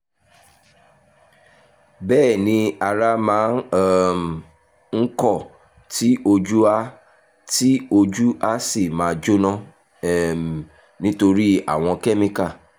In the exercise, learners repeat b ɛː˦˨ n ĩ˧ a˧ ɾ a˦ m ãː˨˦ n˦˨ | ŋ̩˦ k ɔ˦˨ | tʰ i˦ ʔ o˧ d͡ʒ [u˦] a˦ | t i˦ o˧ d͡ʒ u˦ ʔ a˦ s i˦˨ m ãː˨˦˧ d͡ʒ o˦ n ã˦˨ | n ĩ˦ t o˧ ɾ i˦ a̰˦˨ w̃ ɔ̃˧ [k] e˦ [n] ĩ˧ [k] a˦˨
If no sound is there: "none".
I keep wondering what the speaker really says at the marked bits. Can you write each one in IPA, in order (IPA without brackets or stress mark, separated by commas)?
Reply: u˦, k, m, k